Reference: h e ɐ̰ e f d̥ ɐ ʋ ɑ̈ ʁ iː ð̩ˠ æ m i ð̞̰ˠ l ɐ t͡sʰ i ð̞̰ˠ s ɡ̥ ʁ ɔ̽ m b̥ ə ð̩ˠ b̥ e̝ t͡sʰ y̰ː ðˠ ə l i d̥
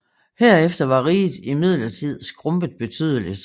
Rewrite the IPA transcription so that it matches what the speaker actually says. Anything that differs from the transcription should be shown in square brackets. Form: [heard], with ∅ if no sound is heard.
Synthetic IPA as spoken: h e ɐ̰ e f d̥ ɐ ʋ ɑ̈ ʁ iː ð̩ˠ [i] m i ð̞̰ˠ l ɐ t͡sʰ i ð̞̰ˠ s ɡ̥ ʁ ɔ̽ m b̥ ə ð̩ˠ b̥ e̝ t͡sʰ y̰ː ðˠ ə l i d̥